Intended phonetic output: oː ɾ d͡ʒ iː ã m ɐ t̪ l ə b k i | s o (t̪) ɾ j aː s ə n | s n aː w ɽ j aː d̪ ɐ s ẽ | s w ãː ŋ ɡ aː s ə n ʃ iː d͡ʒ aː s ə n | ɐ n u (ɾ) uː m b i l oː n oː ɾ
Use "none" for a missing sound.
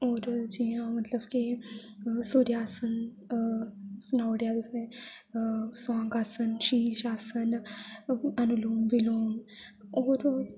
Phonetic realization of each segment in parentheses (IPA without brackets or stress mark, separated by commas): none, l